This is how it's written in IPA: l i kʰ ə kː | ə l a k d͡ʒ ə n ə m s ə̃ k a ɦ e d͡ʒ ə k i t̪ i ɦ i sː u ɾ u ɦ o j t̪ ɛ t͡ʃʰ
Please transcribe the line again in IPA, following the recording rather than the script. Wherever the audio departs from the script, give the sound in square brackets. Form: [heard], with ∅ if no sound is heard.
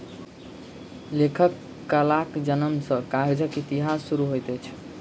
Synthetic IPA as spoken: l [e] kʰ ə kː | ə l a k d͡ʒ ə n ə m s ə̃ k a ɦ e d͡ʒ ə k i t̪ i ɦ [a] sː u ɾ u ɦ o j t̪ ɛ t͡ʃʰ